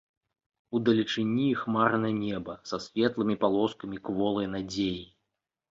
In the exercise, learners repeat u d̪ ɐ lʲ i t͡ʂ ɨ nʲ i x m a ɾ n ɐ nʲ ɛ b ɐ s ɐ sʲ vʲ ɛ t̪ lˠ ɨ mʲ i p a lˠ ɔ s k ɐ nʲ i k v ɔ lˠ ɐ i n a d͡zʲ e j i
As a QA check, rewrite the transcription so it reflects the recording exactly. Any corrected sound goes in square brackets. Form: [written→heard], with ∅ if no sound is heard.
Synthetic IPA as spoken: u d̪ ɐ lʲ i t͡ʂ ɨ nʲ i x m a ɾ n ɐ nʲ ɛ b ɐ s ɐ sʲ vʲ ɛ t̪ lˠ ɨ mʲ i p a lˠ ɔ s k ɐ [nʲ→mʲ] i k v ɔ lˠ ɐ [i→j] n a d͡zʲ e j i